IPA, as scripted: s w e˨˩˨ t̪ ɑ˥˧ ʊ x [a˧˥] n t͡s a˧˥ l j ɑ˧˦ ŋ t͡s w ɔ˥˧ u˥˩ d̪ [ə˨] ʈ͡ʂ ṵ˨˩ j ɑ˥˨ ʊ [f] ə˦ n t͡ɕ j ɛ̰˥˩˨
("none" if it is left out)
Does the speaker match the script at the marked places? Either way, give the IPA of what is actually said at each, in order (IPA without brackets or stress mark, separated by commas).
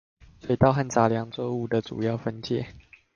a˥˨, ə˨, f